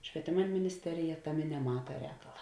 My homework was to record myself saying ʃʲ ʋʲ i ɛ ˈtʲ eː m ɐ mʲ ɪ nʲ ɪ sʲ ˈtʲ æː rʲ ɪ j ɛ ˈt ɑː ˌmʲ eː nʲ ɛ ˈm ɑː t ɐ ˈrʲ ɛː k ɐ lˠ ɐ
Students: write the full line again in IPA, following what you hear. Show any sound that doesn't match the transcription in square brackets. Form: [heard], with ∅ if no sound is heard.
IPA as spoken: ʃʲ ʋʲ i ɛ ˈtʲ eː m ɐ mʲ ɪ nʲ ɪ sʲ ˈtʲ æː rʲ ɪ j ɛ ˈt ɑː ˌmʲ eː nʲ ɛ ˈm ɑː t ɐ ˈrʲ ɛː k ɐ lˠ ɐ